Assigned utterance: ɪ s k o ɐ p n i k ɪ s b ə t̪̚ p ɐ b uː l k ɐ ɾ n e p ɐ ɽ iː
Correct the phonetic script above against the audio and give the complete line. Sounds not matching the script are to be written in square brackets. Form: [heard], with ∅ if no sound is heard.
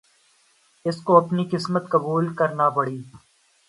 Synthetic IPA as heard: ɪ s k o ɐ p n i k ɪ s [m] ə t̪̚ [k] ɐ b uː l k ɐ ɾ n [a] p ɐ ɽ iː